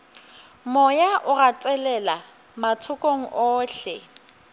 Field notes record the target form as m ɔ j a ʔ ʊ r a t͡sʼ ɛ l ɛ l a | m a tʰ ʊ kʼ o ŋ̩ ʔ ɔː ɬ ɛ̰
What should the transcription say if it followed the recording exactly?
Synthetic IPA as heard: m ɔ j a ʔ ʊ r a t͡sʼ ɛ l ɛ l a | m a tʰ ʊ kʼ o ŋ̩ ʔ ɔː ɬ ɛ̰

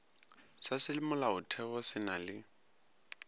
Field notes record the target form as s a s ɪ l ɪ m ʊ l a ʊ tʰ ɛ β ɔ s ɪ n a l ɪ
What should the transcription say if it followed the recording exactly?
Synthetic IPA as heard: s a s ɪ l ɪ m ʊ l a ʊ tʰ ɛ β ɔ s ɪ n a l ɪ

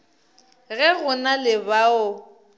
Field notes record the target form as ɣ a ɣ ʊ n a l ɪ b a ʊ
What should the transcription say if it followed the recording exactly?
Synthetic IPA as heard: ɣ ɛ ɣ ʊ n a l ɪ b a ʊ

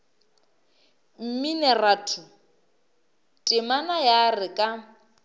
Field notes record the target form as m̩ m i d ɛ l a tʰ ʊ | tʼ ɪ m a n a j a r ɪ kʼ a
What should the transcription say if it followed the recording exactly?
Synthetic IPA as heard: m̩ m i n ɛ r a tʰ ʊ | tʼ ɪ m a n a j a r ɪ kʼ a

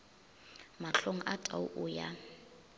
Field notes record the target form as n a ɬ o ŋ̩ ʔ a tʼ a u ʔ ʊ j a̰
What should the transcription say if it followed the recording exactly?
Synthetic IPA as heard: m a ɬ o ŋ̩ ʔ a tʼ a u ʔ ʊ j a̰

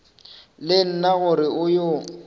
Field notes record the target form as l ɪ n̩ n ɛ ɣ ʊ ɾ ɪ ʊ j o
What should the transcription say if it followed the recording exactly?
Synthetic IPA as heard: l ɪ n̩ n a ɣ ʊ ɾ ɪ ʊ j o

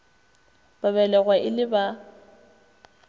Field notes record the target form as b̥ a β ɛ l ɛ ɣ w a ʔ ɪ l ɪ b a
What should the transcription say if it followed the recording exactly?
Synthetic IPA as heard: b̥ a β ɛ l ɛ ɣ w a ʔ ɪ l ɪ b a

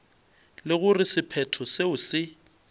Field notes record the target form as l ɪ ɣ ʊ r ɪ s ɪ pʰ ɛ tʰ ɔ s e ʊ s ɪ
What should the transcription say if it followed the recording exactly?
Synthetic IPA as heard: l ɪ ɣ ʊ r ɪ s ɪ pʰ ɛ tʰ ɔ s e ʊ s ɪ

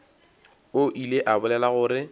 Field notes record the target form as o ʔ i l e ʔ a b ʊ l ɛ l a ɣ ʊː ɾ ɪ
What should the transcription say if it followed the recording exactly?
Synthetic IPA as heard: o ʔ i l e ʔ a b ʊ l ɛ l a ɣ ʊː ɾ ɪ

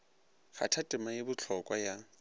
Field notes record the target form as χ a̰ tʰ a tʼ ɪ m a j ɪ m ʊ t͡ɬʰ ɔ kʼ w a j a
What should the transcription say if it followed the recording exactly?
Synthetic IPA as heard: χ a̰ tʰ a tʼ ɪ m a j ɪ b ʊ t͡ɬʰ ɔ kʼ w a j a

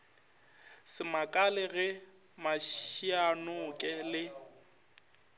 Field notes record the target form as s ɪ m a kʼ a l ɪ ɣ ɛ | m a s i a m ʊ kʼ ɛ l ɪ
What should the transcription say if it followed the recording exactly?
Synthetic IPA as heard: s ɪ m a kʼ a l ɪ ɣ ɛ | m a ʃ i a n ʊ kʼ ɛ l ɪ

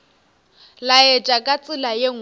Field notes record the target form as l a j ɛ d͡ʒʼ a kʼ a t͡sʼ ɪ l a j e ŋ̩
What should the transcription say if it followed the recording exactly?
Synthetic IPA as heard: l a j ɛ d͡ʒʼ a kʼ a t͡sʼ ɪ l a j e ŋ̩

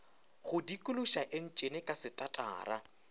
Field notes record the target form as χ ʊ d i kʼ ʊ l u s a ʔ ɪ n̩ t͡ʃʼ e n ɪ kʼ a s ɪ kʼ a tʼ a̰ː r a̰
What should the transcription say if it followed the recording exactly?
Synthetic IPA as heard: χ ʊ d i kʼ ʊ l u ʃ a ʔ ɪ n̩ t͡ʃʼ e n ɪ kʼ a s ɪ tʼ a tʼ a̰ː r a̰

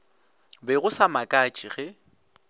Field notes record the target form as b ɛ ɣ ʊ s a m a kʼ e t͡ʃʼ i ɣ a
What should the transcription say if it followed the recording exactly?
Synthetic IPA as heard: b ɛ ɣ ʊ s a m a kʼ a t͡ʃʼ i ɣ ɛ

